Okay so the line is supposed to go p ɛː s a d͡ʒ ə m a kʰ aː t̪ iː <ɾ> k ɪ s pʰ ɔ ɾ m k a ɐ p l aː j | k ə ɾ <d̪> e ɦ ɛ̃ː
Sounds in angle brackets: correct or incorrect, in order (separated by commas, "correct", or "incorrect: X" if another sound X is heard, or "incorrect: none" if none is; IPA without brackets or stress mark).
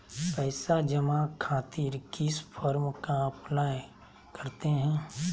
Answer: correct, incorrect: t̪